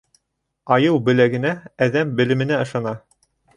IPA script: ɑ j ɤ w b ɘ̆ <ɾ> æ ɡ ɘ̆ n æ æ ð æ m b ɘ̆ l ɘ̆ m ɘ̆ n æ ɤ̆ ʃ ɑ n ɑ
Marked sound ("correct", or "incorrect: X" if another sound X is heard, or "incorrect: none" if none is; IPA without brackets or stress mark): incorrect: l